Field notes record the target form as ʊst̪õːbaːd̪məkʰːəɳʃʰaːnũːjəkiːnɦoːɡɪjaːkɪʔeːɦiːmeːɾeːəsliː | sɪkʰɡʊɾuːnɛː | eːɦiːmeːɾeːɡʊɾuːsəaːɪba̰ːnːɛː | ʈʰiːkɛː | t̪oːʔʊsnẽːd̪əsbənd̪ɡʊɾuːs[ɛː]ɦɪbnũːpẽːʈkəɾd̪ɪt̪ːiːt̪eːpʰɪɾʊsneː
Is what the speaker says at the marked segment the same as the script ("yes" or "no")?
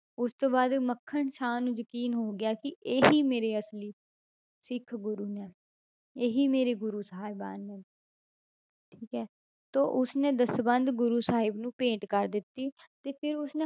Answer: no